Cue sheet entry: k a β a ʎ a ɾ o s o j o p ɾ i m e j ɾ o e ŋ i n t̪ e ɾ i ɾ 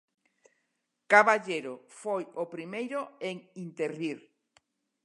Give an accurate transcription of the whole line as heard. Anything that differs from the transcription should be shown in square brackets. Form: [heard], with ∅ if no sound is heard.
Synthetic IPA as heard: k a β a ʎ [e] ɾ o [f] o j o p ɾ i m e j ɾ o e ŋ i n t̪ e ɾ i ɾ